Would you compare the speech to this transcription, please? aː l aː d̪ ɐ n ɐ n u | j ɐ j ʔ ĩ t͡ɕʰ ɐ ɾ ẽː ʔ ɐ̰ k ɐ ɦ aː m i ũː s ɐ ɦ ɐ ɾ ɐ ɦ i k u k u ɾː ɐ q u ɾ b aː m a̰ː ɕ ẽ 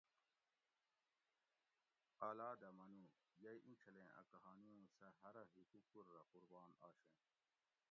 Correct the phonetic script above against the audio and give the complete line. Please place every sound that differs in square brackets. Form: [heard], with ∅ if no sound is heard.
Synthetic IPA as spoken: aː l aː d̪ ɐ [m] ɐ n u | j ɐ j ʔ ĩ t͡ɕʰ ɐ [l] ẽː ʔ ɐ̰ k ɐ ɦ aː [n] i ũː s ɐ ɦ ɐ ɾ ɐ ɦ i k u k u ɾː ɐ q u ɾ b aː [n] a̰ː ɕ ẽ